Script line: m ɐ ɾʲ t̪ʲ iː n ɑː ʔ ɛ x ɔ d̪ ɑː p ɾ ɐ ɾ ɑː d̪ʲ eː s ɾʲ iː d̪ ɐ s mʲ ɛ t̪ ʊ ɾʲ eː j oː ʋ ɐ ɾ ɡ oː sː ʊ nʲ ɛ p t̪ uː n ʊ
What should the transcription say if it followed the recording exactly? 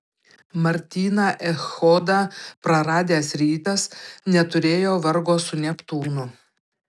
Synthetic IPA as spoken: m ɐ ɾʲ t̪ʲ iː n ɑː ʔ ɛ x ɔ d̪ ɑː p ɾ ɐ ɾ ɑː d̪ʲ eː s ɾʲ iː t̪ ɐ s nʲ ɛ t̪ ʊ ɾʲ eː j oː ʋ ɐ ɾ ɡ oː s ʊ nʲ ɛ p t̪ uː n ʊ